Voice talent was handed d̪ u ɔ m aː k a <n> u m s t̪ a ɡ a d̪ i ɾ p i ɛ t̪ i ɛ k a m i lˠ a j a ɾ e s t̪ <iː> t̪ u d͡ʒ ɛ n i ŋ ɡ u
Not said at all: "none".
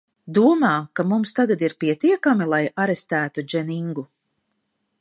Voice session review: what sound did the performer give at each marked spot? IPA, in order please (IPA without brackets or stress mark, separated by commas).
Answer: m, æː